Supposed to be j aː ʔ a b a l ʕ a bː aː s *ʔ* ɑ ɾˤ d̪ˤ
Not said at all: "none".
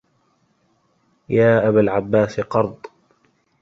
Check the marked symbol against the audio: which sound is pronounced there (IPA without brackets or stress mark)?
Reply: q